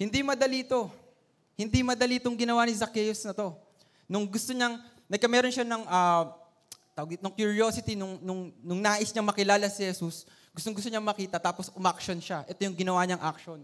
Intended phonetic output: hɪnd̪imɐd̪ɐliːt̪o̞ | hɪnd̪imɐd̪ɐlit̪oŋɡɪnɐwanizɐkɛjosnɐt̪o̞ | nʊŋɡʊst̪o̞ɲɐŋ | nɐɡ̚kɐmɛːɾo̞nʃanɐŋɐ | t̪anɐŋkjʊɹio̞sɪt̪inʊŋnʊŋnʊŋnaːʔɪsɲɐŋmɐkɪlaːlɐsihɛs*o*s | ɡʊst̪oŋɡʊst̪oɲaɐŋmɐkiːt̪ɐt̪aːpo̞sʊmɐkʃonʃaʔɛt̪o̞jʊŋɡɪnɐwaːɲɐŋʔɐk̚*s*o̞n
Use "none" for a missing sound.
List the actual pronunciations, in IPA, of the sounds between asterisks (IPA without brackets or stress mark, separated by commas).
u, ʃ